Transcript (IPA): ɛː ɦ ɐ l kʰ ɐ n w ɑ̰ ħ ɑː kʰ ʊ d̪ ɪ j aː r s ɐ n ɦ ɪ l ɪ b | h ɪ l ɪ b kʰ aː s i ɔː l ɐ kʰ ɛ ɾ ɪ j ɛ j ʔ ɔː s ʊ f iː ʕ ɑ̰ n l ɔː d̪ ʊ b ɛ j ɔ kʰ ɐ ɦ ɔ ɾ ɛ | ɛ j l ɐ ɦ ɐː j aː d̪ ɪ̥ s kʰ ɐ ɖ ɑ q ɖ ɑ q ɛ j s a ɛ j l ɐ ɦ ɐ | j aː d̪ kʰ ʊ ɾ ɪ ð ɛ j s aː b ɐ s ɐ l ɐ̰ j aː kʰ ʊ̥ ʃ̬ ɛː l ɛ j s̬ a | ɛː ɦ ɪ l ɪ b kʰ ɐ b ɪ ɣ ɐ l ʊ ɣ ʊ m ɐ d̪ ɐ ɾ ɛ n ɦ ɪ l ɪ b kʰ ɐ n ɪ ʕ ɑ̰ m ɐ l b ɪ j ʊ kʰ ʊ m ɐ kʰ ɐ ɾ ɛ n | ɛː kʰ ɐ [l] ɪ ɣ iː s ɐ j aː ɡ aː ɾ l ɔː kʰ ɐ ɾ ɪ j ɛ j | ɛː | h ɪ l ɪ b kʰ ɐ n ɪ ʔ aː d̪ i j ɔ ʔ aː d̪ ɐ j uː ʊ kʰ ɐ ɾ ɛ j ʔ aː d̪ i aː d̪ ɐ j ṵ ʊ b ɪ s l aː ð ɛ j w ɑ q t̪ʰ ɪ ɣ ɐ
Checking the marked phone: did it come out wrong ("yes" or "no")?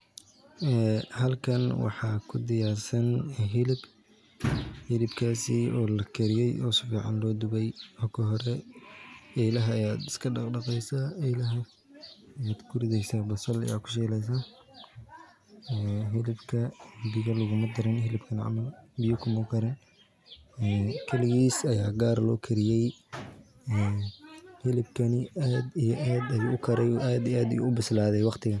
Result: no